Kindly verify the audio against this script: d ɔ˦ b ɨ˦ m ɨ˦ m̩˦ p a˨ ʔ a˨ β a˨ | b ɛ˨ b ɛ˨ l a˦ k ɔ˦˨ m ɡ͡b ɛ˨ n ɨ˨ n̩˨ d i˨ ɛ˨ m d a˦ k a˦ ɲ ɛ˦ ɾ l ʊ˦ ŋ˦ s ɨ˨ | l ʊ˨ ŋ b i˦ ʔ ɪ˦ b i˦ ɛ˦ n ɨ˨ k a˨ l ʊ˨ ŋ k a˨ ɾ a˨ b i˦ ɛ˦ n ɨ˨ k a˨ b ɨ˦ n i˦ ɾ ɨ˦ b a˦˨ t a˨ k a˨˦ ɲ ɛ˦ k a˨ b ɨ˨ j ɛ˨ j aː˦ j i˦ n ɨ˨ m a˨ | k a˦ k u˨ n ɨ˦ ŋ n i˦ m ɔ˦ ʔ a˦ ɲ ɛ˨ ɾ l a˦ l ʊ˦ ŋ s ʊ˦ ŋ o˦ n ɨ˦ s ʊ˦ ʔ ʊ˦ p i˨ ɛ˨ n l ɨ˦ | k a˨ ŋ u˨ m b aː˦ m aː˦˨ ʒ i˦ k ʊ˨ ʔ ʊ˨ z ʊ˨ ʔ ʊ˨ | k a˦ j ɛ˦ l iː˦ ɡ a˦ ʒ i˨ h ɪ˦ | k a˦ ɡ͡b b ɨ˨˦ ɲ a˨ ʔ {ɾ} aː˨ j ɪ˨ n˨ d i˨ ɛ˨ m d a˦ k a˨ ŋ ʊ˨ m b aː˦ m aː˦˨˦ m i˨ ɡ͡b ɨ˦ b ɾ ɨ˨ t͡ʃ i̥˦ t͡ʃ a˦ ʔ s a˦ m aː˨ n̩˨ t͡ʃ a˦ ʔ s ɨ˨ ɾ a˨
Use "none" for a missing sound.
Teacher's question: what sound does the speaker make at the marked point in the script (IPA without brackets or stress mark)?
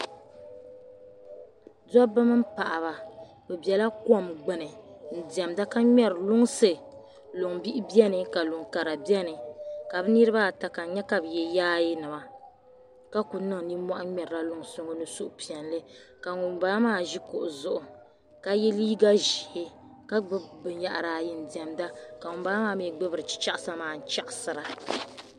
ɾ